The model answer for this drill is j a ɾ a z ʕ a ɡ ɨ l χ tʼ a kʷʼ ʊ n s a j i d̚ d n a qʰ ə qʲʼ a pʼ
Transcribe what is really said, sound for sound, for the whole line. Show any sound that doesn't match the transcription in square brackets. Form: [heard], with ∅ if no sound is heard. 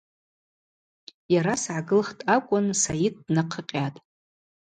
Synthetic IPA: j a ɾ a [s] ʕ a ɡ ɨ l χ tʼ a kʷʼ ʊ n s a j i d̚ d n a qʰ ə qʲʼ a [tʼ]